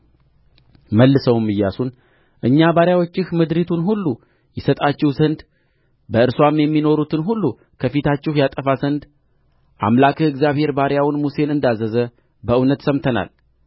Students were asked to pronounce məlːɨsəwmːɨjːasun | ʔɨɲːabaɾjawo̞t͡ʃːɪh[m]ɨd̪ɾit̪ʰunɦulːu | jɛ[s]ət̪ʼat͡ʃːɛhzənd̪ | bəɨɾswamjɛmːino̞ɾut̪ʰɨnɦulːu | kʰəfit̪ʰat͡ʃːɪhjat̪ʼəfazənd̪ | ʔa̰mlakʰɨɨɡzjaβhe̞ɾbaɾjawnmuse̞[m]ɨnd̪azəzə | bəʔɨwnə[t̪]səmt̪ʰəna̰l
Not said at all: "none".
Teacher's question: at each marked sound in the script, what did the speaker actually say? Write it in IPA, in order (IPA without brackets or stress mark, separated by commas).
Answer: m, s, n, t̪